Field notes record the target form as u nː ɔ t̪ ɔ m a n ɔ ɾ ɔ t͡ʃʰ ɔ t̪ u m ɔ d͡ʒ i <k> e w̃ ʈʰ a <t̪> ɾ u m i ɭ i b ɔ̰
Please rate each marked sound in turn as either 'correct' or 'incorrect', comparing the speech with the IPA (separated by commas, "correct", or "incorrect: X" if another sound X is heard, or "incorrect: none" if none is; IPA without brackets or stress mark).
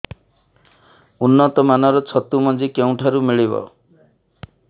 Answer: correct, incorrect: none